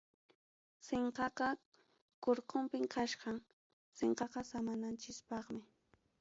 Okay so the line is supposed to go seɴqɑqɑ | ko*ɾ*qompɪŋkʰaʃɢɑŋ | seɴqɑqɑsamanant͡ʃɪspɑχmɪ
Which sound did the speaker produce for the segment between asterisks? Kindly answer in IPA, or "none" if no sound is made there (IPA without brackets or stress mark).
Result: ɾ